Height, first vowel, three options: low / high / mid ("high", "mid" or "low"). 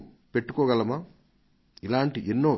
mid